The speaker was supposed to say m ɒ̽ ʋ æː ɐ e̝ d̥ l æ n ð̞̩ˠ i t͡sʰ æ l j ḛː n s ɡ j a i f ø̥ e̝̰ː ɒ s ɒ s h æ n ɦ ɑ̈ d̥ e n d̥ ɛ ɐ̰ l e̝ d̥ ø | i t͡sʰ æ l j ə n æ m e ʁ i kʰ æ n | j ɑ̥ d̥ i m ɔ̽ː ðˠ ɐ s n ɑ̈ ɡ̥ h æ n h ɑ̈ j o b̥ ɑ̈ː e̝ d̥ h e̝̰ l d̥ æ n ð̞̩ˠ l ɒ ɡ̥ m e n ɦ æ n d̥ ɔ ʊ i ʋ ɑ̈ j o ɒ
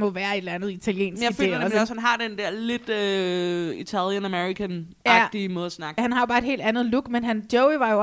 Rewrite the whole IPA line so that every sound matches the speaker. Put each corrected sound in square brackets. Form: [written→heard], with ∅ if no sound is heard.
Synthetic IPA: m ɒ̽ ʋ æː ɐ e̝ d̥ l æ n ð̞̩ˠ i t͡sʰ æ l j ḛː n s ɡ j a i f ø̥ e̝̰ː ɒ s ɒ s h æ n ɦ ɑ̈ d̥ e n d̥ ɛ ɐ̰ l e̝ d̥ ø | i t͡sʰ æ l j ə n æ m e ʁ i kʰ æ n | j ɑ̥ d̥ i m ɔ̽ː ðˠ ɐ s n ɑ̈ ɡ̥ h æ n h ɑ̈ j o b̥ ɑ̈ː e̝ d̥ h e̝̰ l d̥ æ n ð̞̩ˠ l [ɒ→u] ɡ̥ m e n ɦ æ n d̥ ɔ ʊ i ʋ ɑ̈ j o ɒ